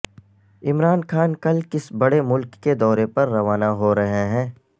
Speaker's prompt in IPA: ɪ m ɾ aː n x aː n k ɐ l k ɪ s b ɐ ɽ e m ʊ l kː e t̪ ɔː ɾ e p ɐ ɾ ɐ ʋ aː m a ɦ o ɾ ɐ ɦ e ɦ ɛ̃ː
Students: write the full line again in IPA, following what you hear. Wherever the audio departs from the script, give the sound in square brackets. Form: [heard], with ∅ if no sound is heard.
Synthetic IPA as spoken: ɪ m ɾ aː n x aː n k ɐ l k ɪ s b ɐ ɽ e m ʊ l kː e [d̪] ɔː ɾ e p ɐ [ɾː] ɐ ʋ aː [n] a ɦ o ɾ ɐ ɦ e ɦ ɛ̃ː